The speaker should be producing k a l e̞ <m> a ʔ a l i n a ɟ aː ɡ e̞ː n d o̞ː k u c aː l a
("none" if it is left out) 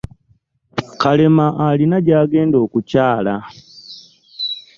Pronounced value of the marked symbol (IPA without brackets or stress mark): m